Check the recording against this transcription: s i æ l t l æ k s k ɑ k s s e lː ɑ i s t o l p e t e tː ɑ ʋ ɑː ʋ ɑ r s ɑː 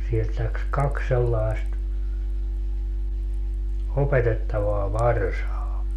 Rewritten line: s i e l t l æ k s k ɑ k s s e lː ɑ i s t o p e t e tː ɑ ʋ ɑː ʋ ɑ r s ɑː